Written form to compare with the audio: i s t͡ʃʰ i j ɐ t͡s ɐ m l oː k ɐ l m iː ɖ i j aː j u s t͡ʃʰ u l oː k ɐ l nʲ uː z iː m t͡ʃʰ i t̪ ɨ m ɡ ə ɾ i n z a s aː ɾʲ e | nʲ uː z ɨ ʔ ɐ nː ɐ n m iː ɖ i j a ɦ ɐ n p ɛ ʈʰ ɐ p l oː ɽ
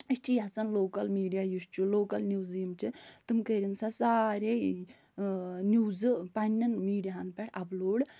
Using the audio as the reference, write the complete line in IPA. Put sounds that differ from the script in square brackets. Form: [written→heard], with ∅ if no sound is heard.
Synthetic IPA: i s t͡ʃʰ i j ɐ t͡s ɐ [m→n] l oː k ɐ l m iː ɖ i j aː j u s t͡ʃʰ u l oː k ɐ l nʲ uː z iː m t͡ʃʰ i t̪ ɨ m [ɡ→k] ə ɾ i n [z→s] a s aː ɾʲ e | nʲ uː z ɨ [ʔ→p] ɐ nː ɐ n m iː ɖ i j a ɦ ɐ n p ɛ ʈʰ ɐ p l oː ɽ